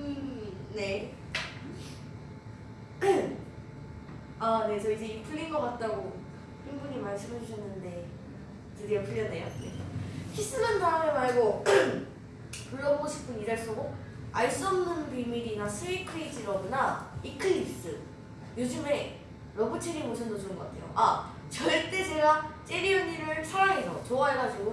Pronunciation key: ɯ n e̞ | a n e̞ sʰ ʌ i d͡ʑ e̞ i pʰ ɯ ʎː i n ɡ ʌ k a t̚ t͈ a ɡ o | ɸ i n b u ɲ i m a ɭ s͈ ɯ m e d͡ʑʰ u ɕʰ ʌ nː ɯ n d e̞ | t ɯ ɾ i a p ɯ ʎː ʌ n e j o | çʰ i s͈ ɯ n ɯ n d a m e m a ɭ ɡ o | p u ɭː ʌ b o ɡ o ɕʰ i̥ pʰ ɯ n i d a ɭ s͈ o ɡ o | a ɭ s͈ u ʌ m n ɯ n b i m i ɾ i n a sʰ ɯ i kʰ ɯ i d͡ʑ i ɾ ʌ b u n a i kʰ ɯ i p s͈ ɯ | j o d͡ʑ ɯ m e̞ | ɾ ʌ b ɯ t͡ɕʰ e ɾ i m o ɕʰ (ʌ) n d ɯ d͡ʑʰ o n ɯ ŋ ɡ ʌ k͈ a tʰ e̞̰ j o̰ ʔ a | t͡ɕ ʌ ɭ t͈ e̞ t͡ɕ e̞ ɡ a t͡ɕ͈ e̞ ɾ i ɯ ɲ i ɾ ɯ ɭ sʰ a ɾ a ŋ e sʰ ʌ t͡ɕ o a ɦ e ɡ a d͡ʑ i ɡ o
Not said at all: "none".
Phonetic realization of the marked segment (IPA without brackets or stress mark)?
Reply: ʌ